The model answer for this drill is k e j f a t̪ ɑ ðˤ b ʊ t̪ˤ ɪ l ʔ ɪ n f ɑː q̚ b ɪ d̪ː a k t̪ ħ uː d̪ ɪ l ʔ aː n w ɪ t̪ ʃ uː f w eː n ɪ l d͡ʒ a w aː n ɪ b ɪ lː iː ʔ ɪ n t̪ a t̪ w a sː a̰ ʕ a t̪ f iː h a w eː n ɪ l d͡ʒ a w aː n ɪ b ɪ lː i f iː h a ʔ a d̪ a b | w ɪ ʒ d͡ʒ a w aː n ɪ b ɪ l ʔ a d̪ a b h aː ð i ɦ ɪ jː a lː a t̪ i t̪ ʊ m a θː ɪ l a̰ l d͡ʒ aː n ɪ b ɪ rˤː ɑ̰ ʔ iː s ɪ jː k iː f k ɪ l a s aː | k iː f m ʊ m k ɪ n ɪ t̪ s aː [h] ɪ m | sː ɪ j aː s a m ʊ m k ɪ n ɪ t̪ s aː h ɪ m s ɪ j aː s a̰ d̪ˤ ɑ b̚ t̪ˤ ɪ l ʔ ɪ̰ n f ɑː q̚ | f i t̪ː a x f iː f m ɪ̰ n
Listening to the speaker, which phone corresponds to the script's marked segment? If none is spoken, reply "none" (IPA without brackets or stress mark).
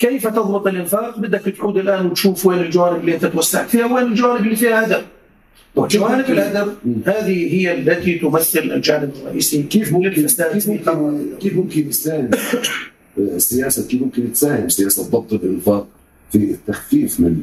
h